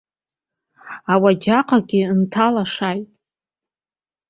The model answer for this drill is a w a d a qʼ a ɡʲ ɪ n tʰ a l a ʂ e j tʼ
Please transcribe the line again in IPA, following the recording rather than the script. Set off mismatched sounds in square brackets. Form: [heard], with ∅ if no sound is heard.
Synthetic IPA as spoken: a w a [d͡ʒ] a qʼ a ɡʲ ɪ n tʰ a l a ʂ [a] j tʼ